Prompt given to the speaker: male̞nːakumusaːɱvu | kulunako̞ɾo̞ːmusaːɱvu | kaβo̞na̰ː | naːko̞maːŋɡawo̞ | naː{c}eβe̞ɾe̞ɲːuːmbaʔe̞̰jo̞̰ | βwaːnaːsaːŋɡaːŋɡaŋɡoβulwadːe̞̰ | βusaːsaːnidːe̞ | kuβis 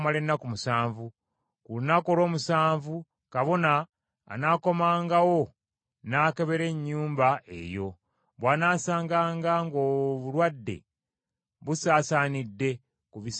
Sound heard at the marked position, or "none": k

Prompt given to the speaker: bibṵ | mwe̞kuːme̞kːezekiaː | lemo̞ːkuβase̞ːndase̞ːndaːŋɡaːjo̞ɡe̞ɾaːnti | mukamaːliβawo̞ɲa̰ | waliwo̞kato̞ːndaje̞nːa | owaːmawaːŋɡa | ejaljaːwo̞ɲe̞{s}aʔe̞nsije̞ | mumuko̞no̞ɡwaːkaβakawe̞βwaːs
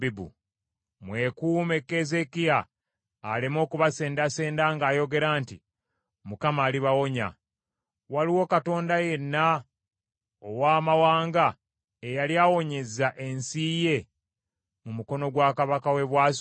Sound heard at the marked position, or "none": z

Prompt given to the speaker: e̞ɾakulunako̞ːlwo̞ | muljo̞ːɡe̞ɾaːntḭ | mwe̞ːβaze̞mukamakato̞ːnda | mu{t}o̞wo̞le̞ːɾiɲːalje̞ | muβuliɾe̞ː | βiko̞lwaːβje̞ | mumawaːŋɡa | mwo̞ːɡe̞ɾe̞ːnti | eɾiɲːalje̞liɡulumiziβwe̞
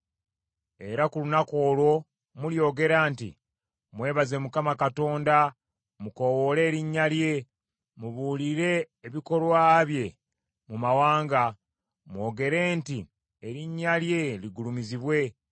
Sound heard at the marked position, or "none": k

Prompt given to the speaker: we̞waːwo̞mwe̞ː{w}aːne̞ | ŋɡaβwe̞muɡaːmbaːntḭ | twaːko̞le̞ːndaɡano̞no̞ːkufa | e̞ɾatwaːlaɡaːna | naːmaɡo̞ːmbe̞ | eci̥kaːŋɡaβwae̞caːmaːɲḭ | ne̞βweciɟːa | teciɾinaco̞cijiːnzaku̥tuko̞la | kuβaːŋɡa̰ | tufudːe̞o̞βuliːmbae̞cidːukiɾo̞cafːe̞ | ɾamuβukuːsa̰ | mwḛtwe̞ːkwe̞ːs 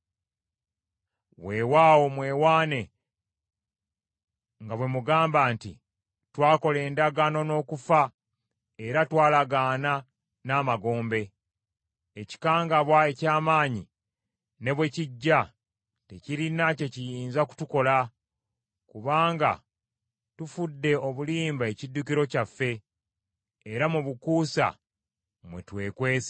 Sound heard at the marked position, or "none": w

